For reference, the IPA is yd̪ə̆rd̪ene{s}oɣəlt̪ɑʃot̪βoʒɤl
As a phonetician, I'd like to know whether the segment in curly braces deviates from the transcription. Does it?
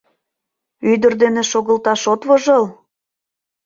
yes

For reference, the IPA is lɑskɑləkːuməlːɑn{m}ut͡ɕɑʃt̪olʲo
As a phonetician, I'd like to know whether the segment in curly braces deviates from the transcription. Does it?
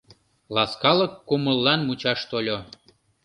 no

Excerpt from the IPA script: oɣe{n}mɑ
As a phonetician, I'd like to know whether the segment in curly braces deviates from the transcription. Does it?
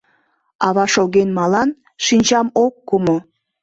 no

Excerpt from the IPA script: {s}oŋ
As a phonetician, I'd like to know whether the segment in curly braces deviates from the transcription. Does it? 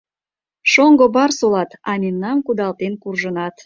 yes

